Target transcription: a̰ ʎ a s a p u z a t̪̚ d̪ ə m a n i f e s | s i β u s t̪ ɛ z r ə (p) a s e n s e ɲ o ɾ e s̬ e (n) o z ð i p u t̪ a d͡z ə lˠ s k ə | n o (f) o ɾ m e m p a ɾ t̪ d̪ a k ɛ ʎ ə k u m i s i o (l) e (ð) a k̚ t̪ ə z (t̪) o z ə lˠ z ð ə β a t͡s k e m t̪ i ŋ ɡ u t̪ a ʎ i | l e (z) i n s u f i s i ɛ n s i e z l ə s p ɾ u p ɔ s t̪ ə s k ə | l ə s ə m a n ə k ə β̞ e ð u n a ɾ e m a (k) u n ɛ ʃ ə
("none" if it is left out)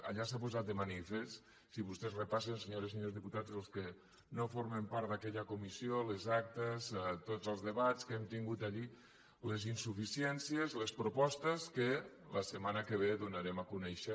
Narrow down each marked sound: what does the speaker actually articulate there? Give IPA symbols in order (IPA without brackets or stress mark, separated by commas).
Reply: p, ɲ, f, l, z, t̪, z, k